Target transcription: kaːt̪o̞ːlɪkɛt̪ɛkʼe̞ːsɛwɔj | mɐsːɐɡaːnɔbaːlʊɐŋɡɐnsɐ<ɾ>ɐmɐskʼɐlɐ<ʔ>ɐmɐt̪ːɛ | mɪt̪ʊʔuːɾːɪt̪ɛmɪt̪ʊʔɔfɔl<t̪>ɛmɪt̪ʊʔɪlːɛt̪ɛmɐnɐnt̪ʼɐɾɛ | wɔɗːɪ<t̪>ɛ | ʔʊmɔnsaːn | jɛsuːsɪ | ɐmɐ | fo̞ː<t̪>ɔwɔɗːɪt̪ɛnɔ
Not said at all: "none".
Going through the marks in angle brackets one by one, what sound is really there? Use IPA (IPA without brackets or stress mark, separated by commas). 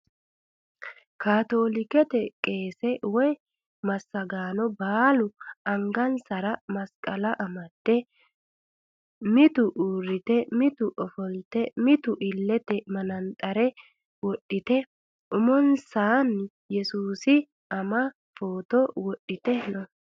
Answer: ɾ, ʔ, t̪, t̪, t̪